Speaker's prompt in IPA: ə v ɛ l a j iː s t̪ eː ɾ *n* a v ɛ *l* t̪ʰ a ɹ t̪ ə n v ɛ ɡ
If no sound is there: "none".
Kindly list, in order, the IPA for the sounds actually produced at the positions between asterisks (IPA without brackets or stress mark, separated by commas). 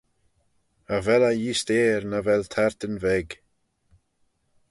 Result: n, l